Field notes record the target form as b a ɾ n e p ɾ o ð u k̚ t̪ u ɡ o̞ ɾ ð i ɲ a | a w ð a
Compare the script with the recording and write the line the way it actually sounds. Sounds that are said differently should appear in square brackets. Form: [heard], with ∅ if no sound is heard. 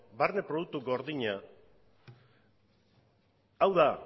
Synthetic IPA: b a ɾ n e p ɾ o ð u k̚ t̪ u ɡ o̞ ɾ ð i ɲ a | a w ð a